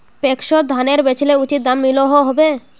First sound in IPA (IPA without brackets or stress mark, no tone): p